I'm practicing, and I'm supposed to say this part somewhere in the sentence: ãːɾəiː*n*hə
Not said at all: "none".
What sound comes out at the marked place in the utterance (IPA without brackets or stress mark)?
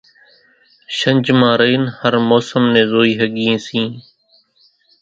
n